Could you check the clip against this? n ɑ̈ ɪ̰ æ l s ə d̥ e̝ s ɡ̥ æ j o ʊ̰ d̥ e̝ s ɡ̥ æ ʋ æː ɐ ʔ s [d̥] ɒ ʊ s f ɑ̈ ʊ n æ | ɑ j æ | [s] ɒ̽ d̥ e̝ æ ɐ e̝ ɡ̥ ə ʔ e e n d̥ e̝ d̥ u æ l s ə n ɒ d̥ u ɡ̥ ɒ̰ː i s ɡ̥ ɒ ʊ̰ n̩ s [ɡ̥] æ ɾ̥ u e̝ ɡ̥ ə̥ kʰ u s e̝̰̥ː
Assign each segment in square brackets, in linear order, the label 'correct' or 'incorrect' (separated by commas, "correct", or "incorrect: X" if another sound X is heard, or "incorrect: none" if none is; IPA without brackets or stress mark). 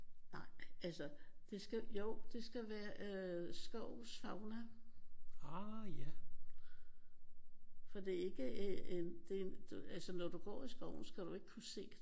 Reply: incorrect: ɡ̥, incorrect: f, correct